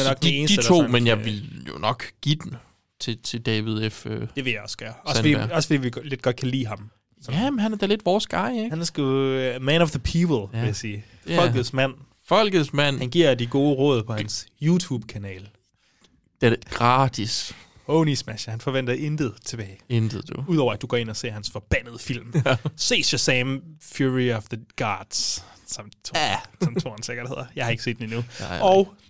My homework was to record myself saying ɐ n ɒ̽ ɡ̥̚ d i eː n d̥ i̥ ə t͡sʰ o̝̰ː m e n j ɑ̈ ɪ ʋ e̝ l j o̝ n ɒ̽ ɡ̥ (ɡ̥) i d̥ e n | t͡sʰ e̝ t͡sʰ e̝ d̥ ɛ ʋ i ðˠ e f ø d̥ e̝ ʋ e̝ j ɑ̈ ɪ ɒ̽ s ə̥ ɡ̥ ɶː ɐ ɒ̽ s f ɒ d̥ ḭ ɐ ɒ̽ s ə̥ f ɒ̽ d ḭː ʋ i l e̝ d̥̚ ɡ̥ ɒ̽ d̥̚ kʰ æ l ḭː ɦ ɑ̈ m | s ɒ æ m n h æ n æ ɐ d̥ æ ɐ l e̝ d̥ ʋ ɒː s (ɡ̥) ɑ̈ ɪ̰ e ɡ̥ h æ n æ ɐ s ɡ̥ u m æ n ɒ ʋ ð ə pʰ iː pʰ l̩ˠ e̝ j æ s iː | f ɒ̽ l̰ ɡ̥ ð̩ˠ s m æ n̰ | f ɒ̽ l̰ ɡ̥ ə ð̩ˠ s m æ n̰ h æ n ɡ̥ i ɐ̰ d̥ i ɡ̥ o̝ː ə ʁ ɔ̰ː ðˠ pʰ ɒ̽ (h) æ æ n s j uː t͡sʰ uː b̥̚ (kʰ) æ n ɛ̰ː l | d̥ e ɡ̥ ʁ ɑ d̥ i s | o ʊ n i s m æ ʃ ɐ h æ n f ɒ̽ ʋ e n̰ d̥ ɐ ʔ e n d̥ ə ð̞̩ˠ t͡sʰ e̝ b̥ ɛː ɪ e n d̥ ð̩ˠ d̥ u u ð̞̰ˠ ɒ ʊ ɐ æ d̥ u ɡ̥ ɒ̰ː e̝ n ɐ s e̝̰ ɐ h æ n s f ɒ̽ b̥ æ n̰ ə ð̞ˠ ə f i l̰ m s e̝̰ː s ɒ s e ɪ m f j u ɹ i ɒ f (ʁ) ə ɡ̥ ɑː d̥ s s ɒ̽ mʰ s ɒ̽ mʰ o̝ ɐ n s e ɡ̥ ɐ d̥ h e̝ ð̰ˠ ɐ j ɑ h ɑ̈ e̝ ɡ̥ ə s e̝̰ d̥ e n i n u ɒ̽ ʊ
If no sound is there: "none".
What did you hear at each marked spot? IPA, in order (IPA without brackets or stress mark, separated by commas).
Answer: ɡ̥, ɡ̥, h, kʰ, ð